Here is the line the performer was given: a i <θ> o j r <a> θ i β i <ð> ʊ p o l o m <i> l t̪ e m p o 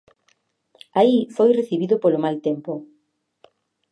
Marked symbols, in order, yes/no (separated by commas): no, no, yes, no